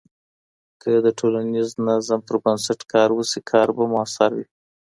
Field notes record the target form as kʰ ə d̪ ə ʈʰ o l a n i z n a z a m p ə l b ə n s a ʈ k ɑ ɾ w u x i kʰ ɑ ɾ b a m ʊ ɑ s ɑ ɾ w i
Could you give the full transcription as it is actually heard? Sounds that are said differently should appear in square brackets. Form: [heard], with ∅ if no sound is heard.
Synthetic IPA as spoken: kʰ ə d̪ ə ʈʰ o l a n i z n a z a m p ə [ɾ] b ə n s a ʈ k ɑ ɾ w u [s] i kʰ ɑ ɾ b a m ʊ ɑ s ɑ ɾ w i